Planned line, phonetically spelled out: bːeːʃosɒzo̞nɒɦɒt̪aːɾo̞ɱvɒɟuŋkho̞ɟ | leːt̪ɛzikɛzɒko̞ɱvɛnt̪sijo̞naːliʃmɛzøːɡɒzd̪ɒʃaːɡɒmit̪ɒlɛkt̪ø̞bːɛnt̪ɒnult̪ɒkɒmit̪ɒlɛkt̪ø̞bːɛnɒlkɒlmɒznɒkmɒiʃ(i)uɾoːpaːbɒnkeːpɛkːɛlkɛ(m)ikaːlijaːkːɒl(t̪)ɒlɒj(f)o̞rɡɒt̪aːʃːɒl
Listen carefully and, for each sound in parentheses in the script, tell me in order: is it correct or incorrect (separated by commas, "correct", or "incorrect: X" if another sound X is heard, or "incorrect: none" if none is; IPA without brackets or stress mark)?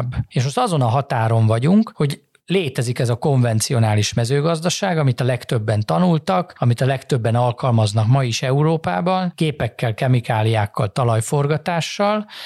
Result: incorrect: ɛ, correct, correct, correct